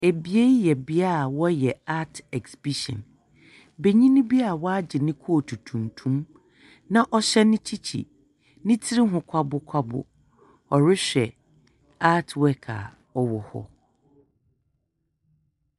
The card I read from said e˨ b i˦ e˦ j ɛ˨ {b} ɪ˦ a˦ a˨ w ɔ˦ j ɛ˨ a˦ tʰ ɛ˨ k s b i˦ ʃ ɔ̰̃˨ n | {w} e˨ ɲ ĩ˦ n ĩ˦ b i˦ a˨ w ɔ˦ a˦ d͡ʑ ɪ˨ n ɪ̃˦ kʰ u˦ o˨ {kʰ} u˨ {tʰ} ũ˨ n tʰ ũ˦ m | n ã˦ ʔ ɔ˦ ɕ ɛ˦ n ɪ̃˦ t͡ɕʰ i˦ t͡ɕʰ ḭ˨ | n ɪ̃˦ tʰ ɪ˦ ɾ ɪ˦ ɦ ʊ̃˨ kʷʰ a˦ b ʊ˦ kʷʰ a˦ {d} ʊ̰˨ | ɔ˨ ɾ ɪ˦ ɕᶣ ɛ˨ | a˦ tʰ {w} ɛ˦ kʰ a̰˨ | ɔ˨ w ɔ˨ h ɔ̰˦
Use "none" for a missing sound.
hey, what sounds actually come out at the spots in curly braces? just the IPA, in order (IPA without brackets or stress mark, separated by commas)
b, b, tʰ, tʰ, b, w